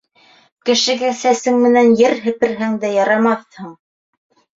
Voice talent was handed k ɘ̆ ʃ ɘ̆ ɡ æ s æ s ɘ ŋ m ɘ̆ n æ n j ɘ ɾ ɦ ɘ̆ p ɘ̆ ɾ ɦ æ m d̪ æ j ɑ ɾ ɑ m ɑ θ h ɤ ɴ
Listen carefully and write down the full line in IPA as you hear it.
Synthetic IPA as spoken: k ɘ̆ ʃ ɘ̆ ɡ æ s æ s ɘ ŋ m ɘ̆ n æ n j ɘ ɾ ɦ ɘ̆ p ɘ̆ ɾ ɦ æ ŋ d̪ æ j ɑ ɾ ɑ m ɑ θ h ɤ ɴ